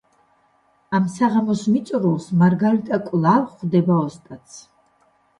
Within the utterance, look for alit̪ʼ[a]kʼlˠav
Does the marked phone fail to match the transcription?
no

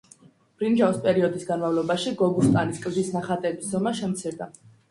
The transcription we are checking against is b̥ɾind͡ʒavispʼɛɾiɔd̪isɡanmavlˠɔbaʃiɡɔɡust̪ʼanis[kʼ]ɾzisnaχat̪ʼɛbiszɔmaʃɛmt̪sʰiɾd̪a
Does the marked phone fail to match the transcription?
no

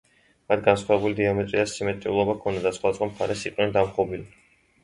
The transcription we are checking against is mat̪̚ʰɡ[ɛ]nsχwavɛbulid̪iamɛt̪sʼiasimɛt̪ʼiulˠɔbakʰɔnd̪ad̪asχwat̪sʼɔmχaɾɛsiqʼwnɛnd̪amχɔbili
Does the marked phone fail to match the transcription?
yes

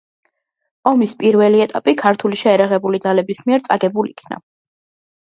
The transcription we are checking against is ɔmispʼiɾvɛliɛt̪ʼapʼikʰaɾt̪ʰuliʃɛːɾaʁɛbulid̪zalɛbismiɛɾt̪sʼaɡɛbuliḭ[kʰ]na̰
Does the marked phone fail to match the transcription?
no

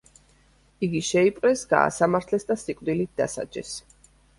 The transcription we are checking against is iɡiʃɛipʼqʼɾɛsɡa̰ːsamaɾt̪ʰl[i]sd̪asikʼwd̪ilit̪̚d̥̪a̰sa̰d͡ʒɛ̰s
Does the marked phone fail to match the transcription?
yes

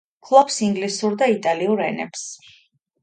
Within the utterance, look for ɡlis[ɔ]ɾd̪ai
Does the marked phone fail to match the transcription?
yes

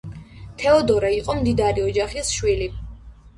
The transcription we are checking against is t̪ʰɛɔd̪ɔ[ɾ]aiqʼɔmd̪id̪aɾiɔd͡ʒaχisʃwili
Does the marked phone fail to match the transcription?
no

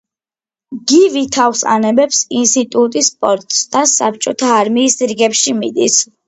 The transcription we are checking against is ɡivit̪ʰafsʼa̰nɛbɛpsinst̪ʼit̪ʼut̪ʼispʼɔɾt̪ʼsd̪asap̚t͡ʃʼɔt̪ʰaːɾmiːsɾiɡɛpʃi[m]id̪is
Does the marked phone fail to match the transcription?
no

